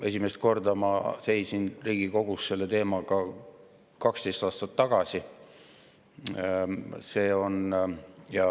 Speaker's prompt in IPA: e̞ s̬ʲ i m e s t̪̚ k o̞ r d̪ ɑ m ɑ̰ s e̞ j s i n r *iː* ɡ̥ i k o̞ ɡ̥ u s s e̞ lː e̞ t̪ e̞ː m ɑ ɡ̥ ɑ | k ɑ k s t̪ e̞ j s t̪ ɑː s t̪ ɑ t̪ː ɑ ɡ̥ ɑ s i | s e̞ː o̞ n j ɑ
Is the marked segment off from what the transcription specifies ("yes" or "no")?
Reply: no